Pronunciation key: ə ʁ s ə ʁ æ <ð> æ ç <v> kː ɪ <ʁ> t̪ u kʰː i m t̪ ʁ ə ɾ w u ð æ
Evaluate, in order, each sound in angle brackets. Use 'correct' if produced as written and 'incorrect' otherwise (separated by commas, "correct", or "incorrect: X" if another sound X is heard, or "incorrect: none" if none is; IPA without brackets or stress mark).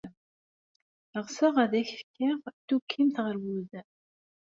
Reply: correct, incorrect: f, correct